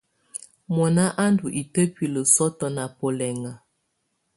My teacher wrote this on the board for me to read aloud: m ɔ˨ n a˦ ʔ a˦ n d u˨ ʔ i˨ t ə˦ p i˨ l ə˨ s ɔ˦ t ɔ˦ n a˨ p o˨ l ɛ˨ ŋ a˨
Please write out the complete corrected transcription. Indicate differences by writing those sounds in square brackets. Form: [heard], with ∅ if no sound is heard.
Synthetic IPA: m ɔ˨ n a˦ ʔ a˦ n d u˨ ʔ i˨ t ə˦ p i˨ l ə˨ s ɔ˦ t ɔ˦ n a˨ p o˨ l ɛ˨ ŋ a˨